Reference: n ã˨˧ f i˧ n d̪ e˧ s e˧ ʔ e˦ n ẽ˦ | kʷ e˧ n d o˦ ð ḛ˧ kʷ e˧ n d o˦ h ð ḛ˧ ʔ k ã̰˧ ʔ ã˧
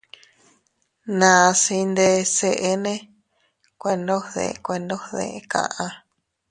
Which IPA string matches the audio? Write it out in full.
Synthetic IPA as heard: n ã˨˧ s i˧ n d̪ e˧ s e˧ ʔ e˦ n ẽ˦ | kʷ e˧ n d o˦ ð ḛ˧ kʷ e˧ n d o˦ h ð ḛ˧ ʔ k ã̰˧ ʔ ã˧